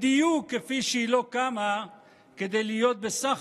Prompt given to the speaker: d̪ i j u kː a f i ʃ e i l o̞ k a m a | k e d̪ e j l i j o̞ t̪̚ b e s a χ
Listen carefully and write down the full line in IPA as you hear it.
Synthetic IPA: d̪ i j u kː e f i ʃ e i l o̞ k a m a | k e d̪ e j l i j o̞ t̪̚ b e s a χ